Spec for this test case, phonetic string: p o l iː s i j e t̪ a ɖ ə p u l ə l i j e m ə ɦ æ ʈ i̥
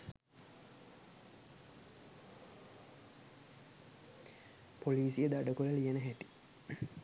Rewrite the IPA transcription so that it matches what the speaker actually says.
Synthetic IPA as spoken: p o l iː s i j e d̪ a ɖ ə k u l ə l i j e n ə ɦ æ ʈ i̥